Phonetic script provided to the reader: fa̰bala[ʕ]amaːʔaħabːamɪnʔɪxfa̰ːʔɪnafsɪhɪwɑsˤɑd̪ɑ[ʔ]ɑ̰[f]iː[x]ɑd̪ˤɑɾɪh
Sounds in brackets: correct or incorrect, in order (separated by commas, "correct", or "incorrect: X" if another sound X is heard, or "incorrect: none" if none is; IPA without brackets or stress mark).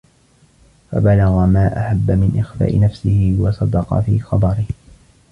incorrect: ɣ, incorrect: q, correct, correct